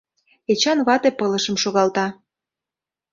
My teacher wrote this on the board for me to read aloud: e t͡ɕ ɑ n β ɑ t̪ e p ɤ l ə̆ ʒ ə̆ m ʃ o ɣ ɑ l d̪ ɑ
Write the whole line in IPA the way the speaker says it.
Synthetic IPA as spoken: e t͡ɕ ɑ n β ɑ t̪ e p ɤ l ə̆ ʃ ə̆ m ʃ o ɣ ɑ l t̪ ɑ